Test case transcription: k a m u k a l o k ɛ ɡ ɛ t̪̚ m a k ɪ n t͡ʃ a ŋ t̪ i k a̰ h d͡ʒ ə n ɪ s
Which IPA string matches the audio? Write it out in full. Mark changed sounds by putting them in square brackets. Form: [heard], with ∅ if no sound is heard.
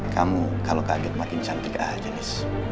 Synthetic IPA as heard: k a m u k a l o k [a] ɡ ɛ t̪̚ m a k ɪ n t͡ʃ a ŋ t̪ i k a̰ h d͡ʒ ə n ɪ s